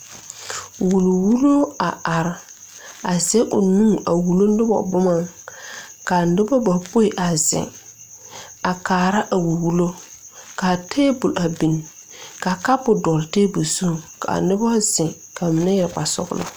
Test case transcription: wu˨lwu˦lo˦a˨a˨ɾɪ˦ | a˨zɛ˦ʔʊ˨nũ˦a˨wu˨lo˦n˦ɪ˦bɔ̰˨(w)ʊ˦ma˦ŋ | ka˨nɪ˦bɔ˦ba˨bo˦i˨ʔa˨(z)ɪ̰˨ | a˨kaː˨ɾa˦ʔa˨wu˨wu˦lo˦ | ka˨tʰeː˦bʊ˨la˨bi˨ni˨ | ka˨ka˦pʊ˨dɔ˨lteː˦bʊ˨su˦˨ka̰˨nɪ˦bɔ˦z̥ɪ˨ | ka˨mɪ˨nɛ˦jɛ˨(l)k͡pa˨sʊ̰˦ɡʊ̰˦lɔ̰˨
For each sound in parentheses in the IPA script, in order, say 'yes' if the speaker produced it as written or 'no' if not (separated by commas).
no, yes, no